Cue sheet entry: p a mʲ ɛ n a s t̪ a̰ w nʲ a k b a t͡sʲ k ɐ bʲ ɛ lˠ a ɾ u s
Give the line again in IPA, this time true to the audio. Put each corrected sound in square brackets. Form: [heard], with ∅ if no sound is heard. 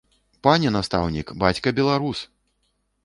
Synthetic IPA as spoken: p a [nʲ] ɛ n a s t̪ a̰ w nʲ [i] k b a t͡sʲ k ɐ bʲ ɛ lˠ a ɾ u s